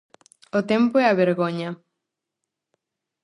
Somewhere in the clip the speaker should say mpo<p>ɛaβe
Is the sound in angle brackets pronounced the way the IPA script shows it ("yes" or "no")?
no